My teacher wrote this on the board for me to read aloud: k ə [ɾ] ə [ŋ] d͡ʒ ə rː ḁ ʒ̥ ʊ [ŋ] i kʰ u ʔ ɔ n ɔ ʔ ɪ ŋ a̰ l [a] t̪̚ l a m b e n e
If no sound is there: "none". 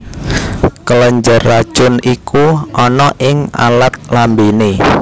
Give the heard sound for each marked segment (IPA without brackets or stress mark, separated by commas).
l, ɲ, n, a